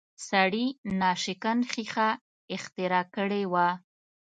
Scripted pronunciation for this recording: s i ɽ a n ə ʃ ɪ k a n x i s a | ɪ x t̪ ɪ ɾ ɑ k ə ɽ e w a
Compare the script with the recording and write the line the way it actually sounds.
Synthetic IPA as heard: s a ɽ i n ɑ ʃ ɪ k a n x i x a | ɪ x t̪ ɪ ɾ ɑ k ə ɽ e w a